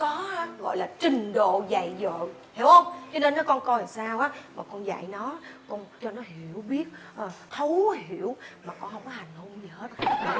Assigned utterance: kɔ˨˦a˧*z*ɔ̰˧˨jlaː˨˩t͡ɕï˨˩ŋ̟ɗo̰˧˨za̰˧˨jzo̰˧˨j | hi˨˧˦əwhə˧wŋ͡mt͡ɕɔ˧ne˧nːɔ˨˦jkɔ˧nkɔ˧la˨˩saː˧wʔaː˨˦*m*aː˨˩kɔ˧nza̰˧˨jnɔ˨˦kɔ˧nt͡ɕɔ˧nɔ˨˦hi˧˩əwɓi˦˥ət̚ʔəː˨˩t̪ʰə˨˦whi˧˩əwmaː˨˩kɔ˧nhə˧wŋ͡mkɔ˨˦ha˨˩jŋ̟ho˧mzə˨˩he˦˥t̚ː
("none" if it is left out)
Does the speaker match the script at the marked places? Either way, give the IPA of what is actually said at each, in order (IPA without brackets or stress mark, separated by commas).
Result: ɣ, m